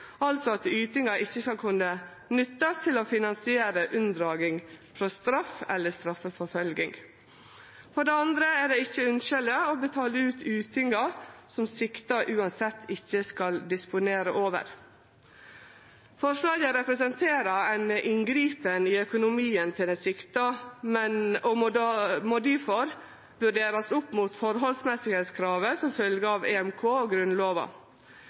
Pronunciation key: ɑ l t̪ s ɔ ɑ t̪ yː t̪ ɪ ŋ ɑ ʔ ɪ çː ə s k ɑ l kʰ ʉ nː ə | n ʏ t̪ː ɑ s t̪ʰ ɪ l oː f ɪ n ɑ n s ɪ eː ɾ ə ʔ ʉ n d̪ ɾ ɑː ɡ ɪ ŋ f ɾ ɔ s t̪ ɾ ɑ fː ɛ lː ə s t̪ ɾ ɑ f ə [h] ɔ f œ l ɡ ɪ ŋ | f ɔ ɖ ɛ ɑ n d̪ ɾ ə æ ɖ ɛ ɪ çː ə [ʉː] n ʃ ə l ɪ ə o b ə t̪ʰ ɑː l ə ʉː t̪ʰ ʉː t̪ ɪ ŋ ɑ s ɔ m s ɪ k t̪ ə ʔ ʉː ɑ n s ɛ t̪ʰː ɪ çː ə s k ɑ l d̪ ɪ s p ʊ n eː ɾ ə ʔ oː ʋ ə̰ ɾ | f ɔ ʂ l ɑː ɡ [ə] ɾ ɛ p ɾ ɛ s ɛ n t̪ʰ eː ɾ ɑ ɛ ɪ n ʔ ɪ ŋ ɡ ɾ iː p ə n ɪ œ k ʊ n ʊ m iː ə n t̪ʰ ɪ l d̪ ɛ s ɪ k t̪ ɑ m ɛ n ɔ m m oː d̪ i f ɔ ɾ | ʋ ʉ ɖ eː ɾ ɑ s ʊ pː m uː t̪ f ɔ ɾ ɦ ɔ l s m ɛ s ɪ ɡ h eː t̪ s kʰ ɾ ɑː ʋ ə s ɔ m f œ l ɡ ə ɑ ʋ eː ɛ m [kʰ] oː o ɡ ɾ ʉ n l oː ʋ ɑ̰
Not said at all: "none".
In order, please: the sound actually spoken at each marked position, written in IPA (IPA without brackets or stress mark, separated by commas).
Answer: f, ʉ, ə, kʰ